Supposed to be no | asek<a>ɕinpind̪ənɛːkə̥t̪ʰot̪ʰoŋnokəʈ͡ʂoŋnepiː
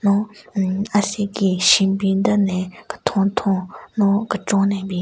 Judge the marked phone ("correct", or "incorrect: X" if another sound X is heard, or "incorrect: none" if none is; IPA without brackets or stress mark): incorrect: i